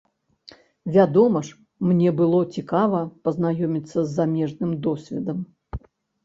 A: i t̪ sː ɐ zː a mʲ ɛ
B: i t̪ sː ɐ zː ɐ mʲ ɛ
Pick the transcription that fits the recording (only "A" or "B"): A